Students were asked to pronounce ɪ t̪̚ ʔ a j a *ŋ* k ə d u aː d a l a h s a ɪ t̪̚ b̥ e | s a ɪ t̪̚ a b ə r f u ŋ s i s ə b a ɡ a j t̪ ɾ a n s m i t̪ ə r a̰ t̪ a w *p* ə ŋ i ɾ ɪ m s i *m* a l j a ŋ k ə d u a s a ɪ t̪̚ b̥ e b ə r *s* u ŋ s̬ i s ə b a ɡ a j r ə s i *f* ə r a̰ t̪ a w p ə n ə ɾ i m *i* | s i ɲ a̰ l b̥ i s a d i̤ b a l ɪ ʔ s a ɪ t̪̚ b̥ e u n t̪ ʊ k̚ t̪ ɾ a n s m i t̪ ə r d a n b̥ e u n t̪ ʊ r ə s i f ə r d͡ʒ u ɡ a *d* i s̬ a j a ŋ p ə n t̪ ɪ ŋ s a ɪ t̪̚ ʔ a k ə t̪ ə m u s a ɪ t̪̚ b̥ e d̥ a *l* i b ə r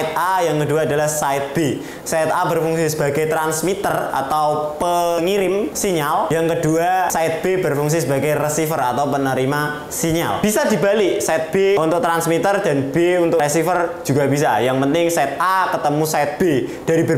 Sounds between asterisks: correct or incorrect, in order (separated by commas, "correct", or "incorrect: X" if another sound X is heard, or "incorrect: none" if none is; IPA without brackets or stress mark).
correct, correct, incorrect: ɲ, incorrect: f, correct, incorrect: a, incorrect: b, incorrect: ɾ